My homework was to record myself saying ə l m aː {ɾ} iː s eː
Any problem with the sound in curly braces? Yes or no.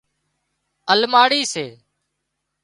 yes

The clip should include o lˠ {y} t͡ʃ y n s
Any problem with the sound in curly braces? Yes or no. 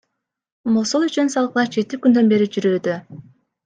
no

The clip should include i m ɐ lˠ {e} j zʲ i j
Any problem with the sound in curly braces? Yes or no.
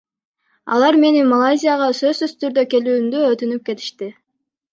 yes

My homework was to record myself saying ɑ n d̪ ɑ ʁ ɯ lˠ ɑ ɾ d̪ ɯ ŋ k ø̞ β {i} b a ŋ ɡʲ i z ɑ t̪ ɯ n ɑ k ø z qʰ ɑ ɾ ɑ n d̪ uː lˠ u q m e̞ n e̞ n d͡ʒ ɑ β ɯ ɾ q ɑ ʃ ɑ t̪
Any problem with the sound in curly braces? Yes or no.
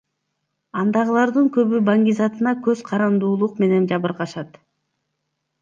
yes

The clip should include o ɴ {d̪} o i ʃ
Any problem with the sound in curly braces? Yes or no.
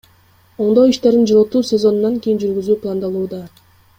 no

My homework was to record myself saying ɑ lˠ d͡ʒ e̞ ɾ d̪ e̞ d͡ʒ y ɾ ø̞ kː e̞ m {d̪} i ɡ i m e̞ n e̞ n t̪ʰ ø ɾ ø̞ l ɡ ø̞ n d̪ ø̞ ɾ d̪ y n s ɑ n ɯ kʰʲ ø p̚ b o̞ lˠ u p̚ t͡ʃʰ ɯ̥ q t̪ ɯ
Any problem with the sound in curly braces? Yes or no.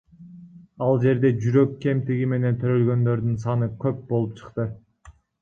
yes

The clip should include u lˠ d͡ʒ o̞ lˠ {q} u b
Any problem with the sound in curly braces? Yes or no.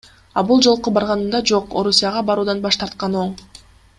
no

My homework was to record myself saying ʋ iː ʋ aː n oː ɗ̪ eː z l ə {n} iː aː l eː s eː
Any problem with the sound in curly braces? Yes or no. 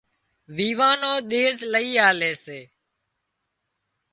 yes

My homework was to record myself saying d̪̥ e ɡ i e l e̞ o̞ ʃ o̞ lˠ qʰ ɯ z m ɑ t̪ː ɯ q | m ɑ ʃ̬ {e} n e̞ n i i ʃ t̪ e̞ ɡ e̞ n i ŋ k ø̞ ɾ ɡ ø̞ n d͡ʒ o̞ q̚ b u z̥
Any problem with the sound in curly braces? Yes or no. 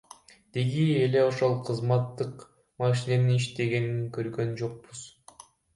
yes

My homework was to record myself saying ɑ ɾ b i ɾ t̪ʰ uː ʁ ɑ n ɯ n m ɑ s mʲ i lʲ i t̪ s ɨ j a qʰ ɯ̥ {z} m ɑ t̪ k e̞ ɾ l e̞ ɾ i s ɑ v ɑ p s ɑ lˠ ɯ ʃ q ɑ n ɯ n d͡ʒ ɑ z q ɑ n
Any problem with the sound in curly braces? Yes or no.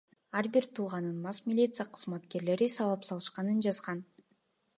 no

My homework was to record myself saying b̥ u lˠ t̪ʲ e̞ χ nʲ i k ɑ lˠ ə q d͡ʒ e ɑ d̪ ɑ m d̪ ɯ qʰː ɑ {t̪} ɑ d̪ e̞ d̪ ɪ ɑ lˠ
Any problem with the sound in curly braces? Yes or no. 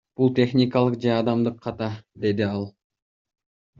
no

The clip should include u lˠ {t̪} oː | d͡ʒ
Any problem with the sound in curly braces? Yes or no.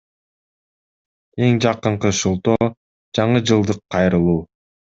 no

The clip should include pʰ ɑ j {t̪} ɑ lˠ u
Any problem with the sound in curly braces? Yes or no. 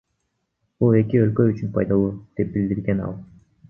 yes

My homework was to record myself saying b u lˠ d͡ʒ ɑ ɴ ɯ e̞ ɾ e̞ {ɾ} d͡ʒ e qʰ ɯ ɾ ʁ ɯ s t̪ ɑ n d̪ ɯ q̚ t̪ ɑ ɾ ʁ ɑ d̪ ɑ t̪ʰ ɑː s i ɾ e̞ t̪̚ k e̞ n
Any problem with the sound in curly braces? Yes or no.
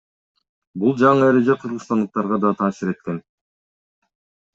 yes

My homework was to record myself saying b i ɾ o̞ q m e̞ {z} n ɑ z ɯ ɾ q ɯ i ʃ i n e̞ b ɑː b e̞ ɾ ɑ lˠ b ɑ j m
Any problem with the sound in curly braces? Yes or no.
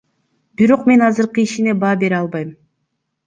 yes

